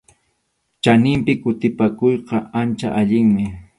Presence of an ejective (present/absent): absent